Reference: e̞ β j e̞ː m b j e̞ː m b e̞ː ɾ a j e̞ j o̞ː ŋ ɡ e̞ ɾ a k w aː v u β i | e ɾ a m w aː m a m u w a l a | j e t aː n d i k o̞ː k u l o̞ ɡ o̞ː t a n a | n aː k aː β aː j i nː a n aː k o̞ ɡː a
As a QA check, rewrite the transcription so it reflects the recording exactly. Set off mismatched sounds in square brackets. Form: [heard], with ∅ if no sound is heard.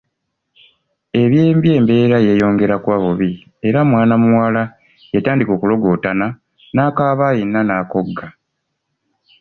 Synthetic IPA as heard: e̞ β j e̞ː m b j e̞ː m b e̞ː ɾ a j e̞ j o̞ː ŋ ɡ e̞ ɾ a k w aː [β] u β i | e ɾ a m w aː [n] a m u w a l a | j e t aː n d i k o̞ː k u l o̞ ɡ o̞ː t a n a | n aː k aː β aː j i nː a n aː k o̞ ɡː a